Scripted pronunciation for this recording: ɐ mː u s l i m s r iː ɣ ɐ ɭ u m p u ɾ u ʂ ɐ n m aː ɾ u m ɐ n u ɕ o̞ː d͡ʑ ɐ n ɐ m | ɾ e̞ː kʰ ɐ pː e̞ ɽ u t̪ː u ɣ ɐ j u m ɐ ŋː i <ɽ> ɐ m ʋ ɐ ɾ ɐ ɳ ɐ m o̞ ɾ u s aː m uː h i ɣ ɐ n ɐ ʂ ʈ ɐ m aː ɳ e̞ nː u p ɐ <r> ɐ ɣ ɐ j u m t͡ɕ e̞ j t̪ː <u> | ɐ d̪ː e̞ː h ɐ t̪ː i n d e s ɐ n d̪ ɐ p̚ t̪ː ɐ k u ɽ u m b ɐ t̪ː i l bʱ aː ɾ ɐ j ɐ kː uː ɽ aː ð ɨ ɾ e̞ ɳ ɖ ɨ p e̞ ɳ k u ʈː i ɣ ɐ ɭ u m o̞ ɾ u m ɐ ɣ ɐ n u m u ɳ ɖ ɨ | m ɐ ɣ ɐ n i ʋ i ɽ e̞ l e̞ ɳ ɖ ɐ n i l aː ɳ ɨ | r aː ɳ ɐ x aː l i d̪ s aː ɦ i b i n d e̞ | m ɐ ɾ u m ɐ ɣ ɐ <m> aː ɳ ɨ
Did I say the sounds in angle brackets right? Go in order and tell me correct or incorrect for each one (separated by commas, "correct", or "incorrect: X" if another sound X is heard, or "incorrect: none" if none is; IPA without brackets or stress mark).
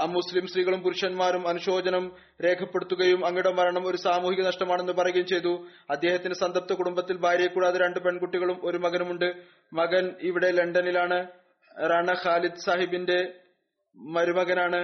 correct, correct, correct, incorrect: n